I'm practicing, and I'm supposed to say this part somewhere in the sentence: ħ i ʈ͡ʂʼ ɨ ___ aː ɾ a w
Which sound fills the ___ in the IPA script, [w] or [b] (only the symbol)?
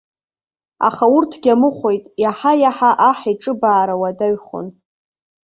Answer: b